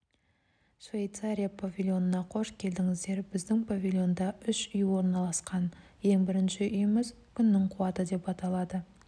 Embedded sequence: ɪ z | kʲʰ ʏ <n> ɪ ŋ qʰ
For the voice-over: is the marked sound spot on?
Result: no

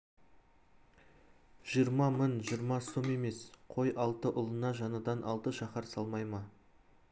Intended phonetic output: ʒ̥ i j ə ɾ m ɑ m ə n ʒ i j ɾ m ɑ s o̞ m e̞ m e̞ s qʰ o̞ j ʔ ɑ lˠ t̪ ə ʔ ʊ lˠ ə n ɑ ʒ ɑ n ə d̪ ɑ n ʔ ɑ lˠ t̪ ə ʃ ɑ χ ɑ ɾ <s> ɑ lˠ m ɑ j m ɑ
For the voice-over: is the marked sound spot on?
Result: yes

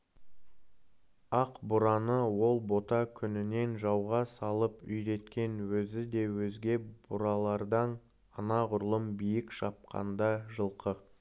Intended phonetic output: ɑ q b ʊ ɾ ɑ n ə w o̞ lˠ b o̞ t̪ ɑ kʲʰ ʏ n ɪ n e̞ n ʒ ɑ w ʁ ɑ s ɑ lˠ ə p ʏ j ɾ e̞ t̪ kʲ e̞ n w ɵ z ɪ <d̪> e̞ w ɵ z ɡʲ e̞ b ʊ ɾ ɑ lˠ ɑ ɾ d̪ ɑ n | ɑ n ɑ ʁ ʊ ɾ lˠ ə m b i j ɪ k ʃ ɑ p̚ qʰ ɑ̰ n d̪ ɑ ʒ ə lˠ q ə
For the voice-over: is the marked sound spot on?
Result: yes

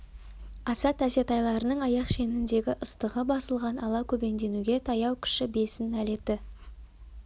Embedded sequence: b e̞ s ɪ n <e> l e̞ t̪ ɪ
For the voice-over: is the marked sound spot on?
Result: no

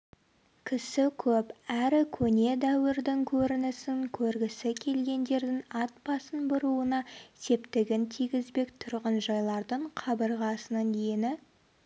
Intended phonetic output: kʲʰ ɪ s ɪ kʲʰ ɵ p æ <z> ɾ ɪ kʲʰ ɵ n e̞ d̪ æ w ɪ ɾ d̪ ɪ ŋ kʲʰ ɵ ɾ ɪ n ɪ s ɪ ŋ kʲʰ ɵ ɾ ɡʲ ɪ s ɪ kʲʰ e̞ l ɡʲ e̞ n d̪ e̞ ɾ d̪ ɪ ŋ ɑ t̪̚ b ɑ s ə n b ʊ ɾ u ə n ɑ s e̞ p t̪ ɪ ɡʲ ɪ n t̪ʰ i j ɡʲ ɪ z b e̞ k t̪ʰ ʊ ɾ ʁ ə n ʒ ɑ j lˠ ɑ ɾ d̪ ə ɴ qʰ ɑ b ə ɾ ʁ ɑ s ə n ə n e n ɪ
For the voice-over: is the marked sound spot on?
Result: no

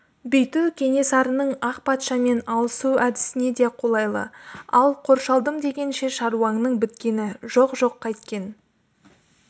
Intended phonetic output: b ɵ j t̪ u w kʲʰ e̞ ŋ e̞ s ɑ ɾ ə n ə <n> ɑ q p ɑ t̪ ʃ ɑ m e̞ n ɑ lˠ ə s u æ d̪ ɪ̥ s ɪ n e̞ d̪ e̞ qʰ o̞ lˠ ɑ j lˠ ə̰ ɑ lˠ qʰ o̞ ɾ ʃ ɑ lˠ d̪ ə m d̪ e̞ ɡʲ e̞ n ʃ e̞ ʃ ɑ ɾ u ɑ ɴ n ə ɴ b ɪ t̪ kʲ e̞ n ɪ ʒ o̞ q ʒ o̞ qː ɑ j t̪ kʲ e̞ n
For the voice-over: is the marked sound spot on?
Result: no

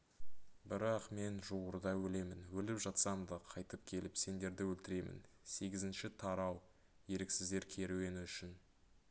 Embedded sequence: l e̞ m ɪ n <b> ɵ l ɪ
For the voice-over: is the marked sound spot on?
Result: no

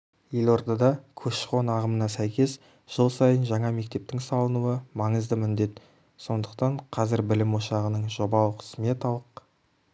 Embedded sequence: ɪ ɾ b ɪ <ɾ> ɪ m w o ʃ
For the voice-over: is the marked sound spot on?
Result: no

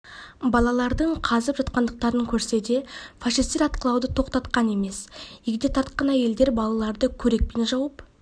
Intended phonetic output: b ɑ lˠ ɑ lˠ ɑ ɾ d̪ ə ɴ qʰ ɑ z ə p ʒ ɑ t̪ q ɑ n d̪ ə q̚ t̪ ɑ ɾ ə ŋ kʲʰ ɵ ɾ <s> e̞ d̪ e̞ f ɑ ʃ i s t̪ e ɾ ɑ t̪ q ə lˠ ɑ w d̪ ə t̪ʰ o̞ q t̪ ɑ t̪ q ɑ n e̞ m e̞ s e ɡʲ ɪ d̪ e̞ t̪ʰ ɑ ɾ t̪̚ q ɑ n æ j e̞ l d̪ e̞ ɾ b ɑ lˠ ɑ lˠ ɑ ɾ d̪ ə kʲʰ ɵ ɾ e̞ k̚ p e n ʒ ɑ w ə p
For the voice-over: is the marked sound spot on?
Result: yes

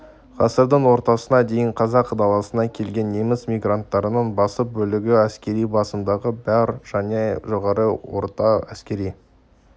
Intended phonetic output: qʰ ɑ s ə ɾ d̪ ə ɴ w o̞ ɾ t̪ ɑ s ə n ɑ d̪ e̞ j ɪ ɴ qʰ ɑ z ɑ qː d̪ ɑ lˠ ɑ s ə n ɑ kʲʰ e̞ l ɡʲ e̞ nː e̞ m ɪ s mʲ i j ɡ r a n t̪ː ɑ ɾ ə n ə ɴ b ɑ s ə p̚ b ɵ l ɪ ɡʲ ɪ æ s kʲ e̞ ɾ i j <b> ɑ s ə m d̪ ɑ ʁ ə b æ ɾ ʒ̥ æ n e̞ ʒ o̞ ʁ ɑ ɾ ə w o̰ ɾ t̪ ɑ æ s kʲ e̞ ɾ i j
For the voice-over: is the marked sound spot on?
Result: yes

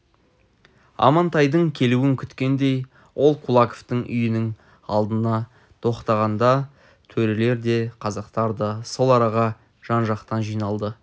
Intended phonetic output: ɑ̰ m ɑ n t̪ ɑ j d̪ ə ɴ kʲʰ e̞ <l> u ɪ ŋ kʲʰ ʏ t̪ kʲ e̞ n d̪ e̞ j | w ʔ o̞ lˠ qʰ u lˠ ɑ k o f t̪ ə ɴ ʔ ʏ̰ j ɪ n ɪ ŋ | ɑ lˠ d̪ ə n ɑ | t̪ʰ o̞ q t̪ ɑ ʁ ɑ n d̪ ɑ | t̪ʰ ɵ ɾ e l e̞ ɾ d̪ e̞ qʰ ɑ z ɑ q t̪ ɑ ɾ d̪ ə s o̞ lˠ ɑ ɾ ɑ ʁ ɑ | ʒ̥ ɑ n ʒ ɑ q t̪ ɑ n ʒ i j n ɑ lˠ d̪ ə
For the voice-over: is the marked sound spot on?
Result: yes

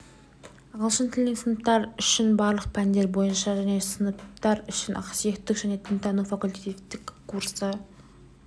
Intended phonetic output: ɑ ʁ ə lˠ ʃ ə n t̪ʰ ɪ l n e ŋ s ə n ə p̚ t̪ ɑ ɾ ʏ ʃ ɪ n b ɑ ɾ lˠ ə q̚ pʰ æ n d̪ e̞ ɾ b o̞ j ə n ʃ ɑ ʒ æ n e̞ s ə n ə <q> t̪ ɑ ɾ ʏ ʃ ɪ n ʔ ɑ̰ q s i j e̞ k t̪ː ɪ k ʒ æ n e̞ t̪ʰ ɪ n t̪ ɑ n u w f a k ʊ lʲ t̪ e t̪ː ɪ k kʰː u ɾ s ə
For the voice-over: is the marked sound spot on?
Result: no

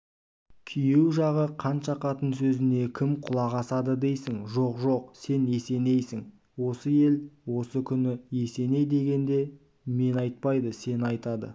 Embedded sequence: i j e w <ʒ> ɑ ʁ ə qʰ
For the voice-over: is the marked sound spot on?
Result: yes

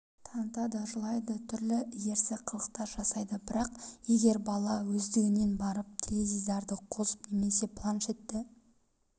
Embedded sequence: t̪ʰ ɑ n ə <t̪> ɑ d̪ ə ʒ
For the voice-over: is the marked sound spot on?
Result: yes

